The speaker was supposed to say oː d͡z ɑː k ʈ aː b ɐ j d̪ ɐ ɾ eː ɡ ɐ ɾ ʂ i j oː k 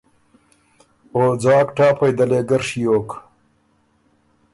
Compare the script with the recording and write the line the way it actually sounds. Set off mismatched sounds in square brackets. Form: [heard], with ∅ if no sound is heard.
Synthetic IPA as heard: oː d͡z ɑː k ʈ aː [p] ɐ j d̪ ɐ [l] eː ɡ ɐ ɾ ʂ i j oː k